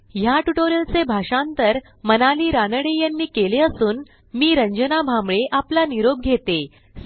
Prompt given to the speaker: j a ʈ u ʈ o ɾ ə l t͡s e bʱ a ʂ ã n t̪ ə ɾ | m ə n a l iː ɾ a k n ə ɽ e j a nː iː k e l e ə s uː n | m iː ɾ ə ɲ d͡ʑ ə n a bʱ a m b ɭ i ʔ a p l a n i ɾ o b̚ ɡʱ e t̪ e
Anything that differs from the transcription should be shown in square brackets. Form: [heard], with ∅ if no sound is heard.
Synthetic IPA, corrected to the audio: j a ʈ u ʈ o ɾ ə l t͡s e bʱ a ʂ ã n t̪ ə ɾ | m ə n a l iː ɾ a [∅] n ə ɽ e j a nː iː k e l e ə s uː n | m iː ɾ ə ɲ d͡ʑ ə n a bʱ a m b ɭ [e] ʔ a p l a n i ɾ o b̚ ɡʱ e t̪ e